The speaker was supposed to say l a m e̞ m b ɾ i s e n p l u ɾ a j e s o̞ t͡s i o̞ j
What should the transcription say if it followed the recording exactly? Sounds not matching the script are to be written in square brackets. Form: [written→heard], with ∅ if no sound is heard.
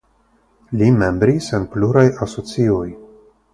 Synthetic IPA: l [a→i] m e̞ m b ɾ i s e n p l u ɾ a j [e→a] s o̞ t͡s i o̞ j